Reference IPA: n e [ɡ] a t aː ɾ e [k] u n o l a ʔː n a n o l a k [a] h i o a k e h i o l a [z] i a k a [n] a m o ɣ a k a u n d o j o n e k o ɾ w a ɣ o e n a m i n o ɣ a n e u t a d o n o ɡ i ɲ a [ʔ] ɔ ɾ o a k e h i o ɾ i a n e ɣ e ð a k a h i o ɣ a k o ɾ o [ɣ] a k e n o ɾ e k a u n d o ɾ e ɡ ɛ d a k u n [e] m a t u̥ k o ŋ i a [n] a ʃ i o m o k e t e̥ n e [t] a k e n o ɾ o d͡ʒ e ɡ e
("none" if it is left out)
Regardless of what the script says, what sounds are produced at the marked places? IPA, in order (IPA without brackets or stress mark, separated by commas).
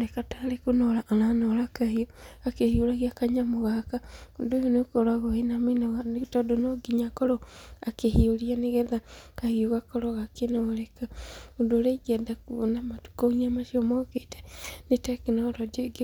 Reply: k, k, a, ɣ, ɲ, k, ɣ, a, m, t